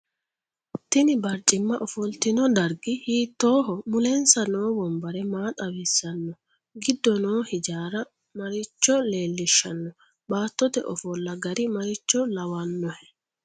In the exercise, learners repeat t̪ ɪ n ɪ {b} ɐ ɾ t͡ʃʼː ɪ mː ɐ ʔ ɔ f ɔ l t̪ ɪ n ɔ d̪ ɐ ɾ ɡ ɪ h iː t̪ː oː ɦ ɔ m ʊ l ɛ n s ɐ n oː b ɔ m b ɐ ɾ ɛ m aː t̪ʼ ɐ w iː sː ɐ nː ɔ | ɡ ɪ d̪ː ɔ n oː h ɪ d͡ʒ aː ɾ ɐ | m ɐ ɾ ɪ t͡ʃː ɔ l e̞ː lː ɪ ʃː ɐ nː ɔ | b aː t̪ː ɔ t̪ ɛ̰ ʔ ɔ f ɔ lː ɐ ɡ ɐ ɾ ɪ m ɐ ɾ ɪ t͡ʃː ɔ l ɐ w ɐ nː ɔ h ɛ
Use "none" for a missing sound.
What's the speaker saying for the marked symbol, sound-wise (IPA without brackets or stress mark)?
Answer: b